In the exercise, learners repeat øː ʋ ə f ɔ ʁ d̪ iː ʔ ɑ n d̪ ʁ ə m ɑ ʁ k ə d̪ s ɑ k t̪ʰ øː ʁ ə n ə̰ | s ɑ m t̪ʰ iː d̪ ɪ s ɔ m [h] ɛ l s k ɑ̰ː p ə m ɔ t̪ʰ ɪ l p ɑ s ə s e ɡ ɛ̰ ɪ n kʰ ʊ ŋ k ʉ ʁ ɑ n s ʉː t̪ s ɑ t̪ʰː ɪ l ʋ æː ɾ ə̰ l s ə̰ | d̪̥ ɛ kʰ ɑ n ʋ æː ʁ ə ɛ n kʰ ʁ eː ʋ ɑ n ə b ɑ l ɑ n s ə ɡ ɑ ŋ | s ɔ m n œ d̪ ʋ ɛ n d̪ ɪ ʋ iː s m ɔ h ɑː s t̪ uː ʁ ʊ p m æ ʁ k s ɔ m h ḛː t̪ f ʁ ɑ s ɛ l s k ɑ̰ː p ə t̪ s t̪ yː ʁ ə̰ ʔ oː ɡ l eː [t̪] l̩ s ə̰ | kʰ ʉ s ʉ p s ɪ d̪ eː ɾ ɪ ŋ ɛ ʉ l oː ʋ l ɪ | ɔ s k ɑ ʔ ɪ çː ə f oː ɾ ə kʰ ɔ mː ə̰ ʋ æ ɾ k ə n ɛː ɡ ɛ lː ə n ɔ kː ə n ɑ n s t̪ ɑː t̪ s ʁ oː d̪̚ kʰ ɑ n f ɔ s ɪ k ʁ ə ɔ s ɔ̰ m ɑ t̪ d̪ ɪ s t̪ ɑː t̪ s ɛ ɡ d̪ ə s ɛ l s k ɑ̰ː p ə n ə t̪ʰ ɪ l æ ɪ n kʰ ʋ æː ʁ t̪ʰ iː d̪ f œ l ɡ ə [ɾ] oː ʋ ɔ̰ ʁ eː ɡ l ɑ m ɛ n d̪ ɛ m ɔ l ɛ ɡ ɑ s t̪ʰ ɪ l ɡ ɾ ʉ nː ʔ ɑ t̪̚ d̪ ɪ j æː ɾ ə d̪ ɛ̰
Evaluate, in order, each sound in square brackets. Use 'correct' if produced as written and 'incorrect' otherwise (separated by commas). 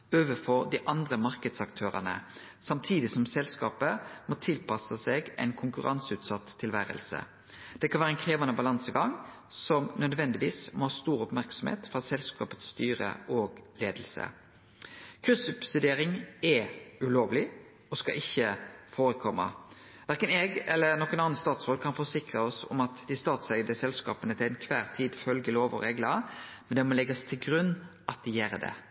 incorrect, incorrect, incorrect